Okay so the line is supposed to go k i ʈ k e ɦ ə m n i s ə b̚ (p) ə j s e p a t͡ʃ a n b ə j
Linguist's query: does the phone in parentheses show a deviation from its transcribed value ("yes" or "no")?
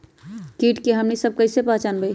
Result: yes